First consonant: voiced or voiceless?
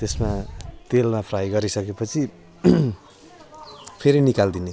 voiceless